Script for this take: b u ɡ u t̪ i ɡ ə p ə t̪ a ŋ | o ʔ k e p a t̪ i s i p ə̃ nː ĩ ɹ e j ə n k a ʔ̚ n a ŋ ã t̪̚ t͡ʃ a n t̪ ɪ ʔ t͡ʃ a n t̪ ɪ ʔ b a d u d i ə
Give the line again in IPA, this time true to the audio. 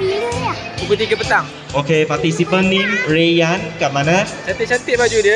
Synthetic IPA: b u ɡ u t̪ i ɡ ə p ə t̪ a ŋ | o k e p a t̪ i s i p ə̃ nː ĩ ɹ e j a n k a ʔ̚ m a n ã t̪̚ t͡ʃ a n t̪ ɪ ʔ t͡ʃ a n t̪ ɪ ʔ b a d͡ʒ u d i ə